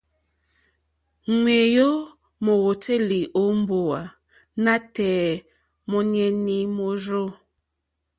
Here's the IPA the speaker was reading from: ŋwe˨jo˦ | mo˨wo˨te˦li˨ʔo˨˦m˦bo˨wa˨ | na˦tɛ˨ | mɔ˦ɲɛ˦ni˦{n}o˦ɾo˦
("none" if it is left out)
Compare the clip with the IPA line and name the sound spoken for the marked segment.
m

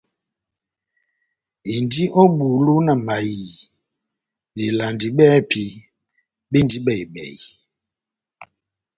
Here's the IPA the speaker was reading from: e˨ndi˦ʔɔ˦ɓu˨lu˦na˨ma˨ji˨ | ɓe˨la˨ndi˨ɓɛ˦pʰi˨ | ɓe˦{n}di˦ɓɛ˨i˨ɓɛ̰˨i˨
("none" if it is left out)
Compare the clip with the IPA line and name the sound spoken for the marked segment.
n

